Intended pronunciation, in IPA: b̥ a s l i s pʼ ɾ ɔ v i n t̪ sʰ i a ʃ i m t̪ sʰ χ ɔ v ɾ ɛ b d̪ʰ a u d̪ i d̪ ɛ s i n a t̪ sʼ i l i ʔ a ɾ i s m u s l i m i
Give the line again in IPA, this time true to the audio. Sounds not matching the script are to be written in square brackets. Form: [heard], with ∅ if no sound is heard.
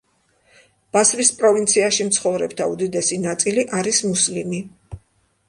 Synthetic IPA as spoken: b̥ a s [ɾ] i s pʼ ɾ ɔ v i n t̪ sʰ i a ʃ i m t̪ sʰ χ ɔ v ɾ ɛ b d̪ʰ a u d̪ i d̪ ɛ s i n a t̪ sʼ i l i ʔ a ɾ i s m u s l i m i